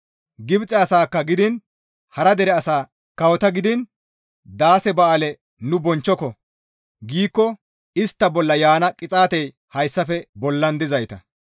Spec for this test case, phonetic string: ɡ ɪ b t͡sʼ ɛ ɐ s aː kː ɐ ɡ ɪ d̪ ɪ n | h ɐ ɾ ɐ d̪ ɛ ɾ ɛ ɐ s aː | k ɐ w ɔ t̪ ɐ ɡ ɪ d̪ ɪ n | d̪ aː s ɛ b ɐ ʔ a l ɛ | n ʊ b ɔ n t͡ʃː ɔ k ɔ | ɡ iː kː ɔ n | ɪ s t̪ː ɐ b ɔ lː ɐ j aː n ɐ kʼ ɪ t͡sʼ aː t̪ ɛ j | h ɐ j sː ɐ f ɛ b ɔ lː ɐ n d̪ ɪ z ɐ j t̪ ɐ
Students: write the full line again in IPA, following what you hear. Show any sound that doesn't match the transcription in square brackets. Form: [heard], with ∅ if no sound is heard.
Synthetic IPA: ɡ ɪ b t͡sʼ ɛ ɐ s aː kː ɐ ɡ ɪ d̪ ɪ n | h ɐ ɾ ɐ d̪ ɛ ɾ ɛ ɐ s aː | k ɐ w ɔ t̪ ɐ ɡ ɪ d̪ ɪ n | d̪ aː s ɛ b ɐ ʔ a l ɛ | n ʊ b ɔ n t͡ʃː ɔ k ɔ | ɡ iː kː ɔ [∅] | ɪ s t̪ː ɐ b ɔ lː ɐ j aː n ɐ kʼ ɪ t͡sʼ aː t̪ ɛ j | h ɐ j sː ɐ f ɛ b ɔ lː ɐ n d̪ ɪ z ɐ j t̪ ɐ